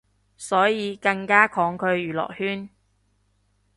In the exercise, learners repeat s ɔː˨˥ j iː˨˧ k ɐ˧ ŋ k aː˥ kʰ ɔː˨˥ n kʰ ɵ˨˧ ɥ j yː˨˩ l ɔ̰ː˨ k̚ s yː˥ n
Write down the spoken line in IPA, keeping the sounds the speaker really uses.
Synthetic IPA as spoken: s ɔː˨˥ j iː˨˧ k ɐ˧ ŋ k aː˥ kʰ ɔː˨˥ ŋ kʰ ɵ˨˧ ɥ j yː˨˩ l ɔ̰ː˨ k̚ h yː˥ n